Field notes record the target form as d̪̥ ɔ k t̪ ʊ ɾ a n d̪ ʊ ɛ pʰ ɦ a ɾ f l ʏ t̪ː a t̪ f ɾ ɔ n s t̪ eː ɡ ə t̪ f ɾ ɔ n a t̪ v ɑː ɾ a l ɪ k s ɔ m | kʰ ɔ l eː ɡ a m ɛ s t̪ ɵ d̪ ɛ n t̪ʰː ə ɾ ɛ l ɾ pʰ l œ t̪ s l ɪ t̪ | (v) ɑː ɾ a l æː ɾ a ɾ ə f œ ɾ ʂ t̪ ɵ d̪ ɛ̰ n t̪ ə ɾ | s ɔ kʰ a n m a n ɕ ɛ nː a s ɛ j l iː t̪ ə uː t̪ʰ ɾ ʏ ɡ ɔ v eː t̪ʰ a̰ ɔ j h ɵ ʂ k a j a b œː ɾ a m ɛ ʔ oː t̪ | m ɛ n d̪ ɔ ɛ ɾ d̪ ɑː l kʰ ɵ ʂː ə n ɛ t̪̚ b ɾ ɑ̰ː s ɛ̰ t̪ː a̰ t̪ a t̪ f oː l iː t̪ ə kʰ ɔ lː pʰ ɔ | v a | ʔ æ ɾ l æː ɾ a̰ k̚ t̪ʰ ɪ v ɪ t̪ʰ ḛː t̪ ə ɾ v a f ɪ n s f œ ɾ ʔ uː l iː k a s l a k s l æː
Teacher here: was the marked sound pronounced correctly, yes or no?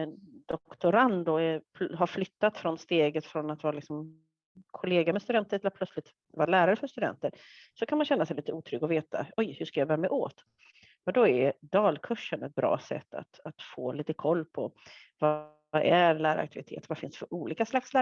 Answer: yes